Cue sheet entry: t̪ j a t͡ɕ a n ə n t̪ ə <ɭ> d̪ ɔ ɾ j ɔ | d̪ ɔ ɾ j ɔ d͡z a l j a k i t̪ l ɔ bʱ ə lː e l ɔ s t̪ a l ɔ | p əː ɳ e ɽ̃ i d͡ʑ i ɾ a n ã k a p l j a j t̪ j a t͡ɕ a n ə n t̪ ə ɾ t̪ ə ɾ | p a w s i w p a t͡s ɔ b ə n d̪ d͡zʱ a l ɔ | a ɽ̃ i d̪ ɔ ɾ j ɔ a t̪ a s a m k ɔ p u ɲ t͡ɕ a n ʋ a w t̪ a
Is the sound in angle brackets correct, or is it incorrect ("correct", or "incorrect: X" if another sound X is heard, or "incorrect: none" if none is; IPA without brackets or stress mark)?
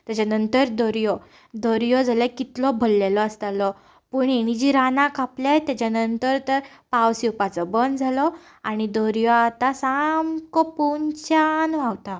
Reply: incorrect: ɾ